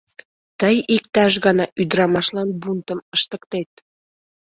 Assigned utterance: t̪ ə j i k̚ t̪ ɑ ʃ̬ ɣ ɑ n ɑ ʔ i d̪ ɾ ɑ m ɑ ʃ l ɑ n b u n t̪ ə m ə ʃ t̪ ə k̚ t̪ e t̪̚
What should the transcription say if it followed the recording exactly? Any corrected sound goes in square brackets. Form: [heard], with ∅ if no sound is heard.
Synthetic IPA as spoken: t̪ ə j i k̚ t̪ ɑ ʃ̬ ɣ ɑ n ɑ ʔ [y] d̪ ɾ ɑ m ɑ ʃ l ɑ n b u n t̪ ə m ə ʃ t̪ ə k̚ t̪ e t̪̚